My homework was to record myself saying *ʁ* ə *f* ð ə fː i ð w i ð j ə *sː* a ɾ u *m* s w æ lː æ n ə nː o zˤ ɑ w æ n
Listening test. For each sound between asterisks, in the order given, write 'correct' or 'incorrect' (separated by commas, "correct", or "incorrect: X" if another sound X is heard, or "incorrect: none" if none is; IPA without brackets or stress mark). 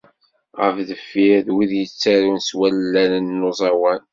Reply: correct, correct, incorrect: t͡sː, incorrect: n